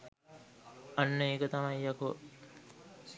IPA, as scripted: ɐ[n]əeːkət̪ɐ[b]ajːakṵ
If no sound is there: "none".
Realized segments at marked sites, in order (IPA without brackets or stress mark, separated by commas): nː, m